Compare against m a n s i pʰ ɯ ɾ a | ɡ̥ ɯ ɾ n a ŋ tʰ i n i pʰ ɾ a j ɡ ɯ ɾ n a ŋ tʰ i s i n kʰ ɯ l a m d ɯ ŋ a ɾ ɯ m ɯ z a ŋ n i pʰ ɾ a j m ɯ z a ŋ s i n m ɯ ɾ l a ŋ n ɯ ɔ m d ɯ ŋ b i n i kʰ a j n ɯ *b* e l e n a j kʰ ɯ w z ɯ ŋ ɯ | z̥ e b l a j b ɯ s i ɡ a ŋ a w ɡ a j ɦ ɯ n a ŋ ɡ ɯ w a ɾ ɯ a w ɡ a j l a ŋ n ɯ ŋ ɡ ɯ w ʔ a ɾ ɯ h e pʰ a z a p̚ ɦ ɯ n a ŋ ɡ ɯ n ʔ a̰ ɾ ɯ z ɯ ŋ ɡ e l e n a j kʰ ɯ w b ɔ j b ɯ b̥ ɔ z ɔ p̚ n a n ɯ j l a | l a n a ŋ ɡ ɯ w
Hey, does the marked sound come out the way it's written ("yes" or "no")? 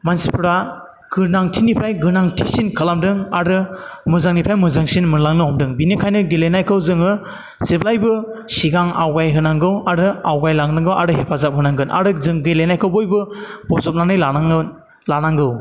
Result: no